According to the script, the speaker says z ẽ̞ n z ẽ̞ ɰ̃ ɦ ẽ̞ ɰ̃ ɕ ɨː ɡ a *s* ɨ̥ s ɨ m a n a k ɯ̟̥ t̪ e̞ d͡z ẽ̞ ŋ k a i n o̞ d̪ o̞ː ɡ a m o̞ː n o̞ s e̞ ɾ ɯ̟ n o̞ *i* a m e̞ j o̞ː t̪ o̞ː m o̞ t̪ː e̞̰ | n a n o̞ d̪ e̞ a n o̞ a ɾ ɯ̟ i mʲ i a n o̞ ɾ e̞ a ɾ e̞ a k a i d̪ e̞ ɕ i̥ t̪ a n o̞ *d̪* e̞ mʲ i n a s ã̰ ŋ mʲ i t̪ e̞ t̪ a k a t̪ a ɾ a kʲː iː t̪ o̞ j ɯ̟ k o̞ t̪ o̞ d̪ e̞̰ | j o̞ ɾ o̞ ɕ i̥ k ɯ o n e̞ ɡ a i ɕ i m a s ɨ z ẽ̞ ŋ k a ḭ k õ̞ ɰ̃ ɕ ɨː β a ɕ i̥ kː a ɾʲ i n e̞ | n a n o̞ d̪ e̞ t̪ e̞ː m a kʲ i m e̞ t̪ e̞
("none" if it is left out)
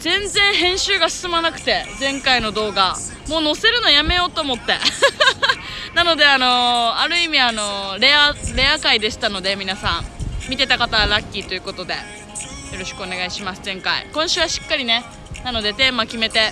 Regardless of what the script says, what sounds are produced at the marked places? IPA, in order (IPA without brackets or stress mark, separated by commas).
s, j, d̪